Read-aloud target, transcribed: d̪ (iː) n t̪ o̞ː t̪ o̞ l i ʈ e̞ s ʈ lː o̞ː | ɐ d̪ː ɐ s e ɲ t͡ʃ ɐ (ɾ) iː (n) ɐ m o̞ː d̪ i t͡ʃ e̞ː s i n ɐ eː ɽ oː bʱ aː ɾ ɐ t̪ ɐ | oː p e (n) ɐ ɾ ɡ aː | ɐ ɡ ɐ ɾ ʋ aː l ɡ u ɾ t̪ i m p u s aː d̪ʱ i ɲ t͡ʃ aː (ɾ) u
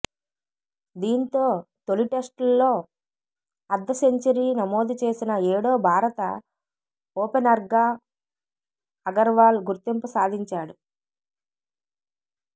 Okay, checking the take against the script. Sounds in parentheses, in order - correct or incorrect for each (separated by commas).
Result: correct, correct, correct, correct, incorrect